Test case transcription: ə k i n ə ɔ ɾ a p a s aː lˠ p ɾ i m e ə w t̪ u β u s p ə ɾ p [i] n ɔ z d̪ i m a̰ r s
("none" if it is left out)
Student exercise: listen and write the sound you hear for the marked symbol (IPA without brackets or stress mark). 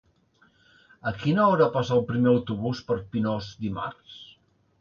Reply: i